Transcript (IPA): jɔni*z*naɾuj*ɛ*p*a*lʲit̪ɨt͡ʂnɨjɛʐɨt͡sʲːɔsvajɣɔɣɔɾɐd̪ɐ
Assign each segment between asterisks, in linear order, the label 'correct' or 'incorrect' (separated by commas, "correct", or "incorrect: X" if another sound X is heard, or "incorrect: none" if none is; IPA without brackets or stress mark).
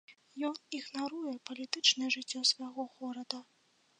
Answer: incorrect: ɣ, correct, incorrect: ɐ